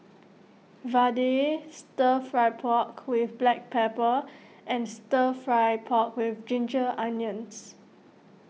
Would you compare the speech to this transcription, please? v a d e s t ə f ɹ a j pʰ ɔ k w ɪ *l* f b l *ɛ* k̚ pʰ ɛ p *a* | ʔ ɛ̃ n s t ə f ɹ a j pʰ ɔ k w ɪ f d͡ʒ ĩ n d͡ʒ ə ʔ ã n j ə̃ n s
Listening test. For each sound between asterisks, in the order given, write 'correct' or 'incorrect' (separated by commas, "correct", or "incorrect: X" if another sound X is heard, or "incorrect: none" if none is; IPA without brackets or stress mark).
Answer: incorrect: none, correct, incorrect: ə